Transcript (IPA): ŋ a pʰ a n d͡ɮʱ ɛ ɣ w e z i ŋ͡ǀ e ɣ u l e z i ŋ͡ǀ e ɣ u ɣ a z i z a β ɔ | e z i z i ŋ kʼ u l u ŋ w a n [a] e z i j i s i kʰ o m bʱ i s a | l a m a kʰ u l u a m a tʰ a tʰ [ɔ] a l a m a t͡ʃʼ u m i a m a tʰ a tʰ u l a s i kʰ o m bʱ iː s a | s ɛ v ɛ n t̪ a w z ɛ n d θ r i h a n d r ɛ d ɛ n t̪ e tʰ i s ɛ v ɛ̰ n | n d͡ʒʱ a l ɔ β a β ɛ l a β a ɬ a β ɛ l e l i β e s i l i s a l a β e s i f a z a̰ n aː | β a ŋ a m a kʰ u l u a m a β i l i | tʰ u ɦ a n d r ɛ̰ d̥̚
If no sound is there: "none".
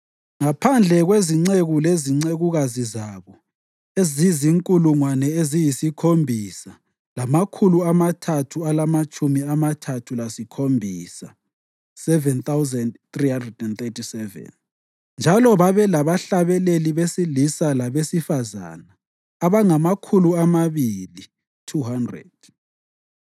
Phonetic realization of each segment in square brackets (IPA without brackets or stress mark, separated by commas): ɛ, u